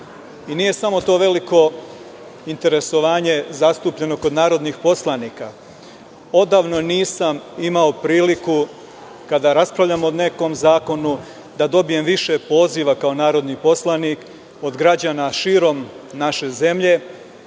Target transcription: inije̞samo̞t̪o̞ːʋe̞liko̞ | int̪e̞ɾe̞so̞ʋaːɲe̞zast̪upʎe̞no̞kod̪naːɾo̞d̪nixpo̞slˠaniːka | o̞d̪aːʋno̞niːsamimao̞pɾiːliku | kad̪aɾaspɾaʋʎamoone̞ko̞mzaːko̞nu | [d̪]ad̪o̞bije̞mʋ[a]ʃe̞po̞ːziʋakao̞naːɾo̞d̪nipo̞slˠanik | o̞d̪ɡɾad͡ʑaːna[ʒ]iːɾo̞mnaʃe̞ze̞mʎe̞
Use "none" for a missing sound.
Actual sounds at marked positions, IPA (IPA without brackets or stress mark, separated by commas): d̪, i, ʃ